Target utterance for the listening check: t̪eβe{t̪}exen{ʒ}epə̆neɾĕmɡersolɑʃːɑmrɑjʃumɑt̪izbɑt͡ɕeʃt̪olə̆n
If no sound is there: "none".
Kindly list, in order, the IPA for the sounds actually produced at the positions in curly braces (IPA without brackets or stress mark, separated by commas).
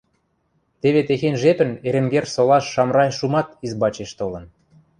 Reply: t̪, ʒ